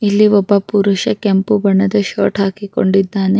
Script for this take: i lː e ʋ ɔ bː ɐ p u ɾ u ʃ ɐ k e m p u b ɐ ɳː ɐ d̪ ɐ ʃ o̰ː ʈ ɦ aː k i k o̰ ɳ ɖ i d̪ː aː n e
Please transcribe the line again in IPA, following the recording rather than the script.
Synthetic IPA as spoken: i lː i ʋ ɔ bː ɐ p u ɾ u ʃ ɐ k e m p u b ɐ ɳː ɐ d̪ ɐ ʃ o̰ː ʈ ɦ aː k i k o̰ ɳ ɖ i d̪ː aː n e